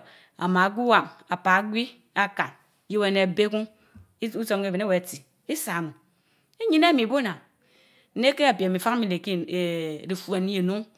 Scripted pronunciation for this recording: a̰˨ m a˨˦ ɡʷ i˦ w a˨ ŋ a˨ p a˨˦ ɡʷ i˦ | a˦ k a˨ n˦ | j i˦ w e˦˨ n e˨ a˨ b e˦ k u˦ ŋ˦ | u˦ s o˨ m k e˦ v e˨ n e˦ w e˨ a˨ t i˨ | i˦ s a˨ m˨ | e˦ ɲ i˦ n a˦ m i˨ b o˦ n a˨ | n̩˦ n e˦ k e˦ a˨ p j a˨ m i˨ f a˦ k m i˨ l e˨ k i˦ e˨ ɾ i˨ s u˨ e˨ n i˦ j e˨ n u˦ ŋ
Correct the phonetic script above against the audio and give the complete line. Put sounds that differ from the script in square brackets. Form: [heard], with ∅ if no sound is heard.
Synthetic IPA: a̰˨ m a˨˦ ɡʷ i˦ w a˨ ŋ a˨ p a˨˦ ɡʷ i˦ | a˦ k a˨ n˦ | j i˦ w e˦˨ n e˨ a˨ b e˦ k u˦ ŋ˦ | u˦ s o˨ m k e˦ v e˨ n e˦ w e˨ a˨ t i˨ | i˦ s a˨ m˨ | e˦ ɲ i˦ n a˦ m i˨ b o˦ n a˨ | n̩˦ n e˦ k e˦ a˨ p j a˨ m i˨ f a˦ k m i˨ l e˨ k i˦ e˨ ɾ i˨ [f] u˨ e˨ n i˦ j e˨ n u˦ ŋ